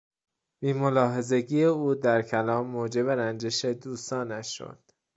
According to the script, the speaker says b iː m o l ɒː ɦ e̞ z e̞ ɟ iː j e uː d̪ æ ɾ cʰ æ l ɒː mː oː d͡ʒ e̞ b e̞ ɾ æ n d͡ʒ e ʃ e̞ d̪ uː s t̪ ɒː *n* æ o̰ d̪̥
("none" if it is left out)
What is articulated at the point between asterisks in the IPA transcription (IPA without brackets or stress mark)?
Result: n